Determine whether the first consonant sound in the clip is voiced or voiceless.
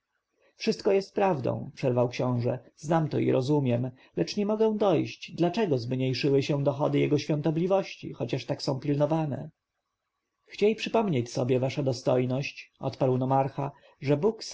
voiceless